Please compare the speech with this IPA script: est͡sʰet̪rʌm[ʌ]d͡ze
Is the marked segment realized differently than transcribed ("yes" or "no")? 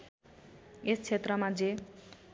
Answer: yes